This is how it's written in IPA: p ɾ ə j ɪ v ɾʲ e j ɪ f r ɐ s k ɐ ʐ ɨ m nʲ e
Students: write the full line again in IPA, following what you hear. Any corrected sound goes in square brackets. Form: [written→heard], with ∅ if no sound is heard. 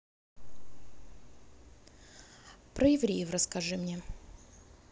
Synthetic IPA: p ɾ ə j ɪ v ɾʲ e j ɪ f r [ɐ→ə] s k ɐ ʐ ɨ m nʲ e

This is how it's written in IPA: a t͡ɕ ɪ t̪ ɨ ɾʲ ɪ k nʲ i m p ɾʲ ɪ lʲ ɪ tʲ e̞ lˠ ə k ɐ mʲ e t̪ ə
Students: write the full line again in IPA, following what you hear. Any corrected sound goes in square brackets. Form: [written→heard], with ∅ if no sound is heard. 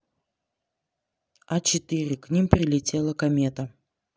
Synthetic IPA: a t͡ɕ ɪ t̪ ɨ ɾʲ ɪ k nʲ i m p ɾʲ ɪ lʲ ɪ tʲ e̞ lˠ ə k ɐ mʲ e t̪ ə

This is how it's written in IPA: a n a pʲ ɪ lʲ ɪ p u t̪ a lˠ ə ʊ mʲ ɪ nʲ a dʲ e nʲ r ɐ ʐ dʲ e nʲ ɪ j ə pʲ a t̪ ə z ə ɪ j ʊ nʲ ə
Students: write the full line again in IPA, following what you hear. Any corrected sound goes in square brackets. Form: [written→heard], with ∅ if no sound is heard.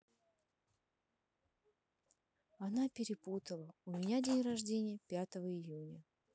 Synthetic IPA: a n a pʲ ɪ [lʲ→ɾʲ] ɪ p u t̪ [a→ə] lˠ ə ʊ mʲ ɪ nʲ a dʲ e nʲ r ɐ ʐ dʲ e nʲ ɪ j ə pʲ a t̪ ə [z→v] ə ɪ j [ʊ→u] nʲ ə

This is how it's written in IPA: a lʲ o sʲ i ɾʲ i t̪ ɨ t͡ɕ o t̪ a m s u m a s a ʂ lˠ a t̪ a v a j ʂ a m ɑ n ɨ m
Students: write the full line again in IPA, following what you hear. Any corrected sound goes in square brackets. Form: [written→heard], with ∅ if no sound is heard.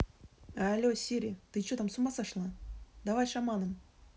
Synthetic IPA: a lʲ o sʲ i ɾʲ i t̪ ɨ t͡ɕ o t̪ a m s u m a s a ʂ lˠ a [t̪→d̪] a v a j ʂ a m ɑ n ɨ m

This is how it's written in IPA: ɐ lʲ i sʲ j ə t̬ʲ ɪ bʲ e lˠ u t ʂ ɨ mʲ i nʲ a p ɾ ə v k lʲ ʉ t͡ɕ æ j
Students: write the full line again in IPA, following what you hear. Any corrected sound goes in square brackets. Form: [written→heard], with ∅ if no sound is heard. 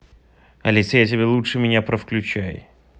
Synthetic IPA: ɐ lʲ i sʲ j [ə→a] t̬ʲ ɪ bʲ e lˠ u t ʂ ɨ mʲ [i→ɪ] nʲ a p ɾ ə [v→f] k lʲ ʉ t͡ɕ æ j

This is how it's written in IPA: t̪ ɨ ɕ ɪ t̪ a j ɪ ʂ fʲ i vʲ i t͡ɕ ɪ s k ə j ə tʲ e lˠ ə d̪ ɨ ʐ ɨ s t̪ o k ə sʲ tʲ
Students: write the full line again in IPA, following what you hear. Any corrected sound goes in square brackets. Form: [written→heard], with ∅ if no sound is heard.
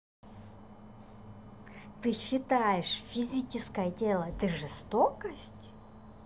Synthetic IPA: t̪ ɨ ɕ ɪ t̪ a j ɪ ʂ fʲ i [vʲ→zʲ] i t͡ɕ ɪ s k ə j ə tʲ e lˠ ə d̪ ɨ ʐ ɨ s t̪ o k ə sʲ tʲ

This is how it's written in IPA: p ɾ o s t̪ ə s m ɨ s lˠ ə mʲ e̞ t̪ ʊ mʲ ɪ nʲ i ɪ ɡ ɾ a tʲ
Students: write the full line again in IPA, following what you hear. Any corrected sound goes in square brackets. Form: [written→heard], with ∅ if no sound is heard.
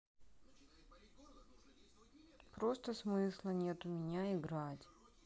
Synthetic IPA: p ɾ o s t̪ ə s m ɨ s lˠ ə [mʲ→nʲ] e̞ t̪ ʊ mʲ ɪ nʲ [i→a] ɪ ɡ ɾ a tʲ

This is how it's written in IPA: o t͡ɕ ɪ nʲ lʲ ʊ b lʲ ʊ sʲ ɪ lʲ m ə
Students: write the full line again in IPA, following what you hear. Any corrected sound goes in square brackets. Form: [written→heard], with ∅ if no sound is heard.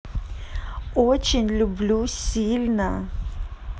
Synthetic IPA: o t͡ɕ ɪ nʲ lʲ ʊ b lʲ [ʊ→u] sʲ [ɪ→i] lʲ [m→n] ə

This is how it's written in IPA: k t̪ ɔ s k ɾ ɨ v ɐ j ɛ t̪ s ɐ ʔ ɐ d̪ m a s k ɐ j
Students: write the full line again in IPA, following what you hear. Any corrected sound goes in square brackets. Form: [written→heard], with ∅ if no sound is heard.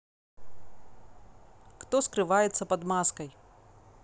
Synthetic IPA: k t̪ ɔ s k ɾ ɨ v [ɐ→a] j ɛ t̪ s ɐ [ʔ→p] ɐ d̪ m a s k ɐ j

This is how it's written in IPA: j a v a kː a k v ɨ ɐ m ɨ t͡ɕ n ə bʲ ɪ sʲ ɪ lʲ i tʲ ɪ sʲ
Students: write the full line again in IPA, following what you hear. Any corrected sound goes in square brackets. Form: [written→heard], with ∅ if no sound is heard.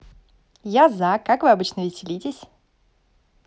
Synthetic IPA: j a [v→z] a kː a k v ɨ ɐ [m→b] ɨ t͡ɕ n ə [bʲ→vʲ] ɪ sʲ ɪ lʲ i tʲ ɪ sʲ

